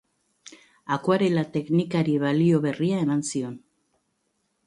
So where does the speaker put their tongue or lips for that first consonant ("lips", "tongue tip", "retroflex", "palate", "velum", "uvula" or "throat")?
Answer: velum